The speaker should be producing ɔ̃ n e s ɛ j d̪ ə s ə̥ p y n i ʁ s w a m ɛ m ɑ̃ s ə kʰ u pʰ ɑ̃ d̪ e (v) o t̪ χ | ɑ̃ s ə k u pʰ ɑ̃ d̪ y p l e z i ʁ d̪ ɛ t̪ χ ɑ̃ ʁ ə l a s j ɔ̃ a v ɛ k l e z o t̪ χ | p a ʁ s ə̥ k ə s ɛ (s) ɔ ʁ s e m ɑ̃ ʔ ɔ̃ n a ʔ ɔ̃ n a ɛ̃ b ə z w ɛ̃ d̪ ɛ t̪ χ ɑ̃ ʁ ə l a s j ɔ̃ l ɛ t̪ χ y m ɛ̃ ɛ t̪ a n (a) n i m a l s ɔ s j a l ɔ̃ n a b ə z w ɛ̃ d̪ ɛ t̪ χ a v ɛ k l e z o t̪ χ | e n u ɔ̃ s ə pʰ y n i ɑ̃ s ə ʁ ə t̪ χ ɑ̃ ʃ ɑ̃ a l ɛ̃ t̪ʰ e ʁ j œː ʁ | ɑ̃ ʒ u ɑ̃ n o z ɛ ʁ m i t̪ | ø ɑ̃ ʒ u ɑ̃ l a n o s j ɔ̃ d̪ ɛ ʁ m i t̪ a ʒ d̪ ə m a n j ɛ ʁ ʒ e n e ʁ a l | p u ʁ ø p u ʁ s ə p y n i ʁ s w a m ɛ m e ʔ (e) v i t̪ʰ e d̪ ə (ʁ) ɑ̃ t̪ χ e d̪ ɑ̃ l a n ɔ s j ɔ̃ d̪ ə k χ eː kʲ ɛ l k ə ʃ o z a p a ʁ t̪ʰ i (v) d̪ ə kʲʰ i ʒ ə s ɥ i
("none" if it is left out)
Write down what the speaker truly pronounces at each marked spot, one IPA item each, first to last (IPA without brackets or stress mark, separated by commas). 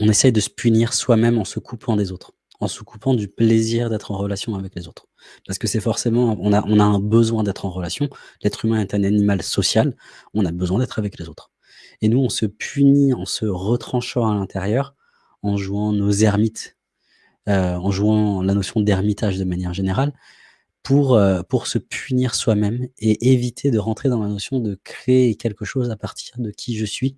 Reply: z, f, a, e, ʁ, ʁ